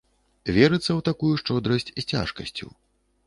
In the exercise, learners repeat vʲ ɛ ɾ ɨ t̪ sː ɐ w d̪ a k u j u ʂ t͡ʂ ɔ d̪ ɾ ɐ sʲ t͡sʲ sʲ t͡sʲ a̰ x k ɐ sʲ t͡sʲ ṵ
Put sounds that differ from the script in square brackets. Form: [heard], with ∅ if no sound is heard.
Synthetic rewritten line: vʲ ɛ ɾ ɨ t̪ sː ɐ w [t̪] a k u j u ʂ t͡ʂ ɔ d̪ ɾ ɐ sʲ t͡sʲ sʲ t͡sʲ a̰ [ʂ] k ɐ sʲ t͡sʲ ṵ